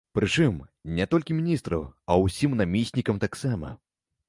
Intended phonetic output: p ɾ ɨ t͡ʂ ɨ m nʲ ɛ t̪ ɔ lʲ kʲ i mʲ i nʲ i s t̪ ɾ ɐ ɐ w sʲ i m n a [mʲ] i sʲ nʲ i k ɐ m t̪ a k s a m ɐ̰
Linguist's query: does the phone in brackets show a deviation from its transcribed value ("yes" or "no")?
no